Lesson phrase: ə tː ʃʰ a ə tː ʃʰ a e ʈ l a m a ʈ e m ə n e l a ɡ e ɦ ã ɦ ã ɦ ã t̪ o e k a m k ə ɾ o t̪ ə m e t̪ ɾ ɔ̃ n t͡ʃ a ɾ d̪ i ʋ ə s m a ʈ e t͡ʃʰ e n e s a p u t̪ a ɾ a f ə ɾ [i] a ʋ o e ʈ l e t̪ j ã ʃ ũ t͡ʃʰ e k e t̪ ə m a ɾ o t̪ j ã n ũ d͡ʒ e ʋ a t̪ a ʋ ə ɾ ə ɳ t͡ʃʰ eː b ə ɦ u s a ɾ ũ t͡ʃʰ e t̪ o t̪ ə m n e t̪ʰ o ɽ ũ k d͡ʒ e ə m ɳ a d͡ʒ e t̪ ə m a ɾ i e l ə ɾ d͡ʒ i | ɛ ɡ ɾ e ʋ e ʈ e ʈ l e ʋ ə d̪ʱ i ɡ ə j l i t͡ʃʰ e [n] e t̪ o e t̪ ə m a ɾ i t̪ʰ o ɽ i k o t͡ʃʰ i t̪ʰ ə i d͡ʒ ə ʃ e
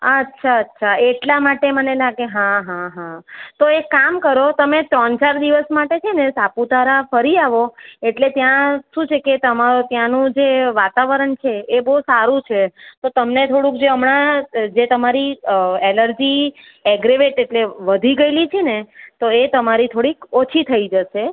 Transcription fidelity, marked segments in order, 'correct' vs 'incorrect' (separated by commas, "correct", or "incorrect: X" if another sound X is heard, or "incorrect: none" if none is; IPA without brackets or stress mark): correct, correct